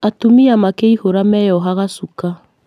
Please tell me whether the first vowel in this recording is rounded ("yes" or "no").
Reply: no